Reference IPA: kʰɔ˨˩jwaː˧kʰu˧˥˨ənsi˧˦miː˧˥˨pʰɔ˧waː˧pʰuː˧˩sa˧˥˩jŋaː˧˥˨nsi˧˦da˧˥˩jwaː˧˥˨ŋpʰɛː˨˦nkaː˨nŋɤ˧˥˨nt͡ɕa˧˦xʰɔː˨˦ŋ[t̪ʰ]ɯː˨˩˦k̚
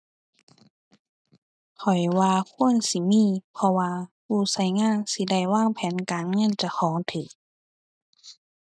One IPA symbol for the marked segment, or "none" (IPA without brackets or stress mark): t̪ʰ